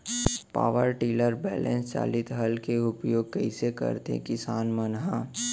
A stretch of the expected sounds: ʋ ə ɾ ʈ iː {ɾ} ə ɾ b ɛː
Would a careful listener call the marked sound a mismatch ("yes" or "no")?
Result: yes